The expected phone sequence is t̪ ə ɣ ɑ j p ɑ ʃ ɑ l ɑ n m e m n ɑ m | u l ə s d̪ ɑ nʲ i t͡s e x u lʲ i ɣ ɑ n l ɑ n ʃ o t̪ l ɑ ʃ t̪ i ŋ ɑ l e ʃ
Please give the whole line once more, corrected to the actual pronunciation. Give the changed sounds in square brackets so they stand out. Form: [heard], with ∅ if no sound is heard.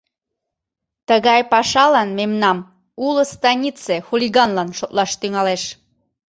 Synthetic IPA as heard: t̪ ə ɣ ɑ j p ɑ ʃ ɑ l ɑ n m e m n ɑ m | u l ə s [t̪] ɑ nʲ i t͡s e x u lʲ i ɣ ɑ n l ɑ n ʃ o t̪ l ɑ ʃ t̪ [y] ŋ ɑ l e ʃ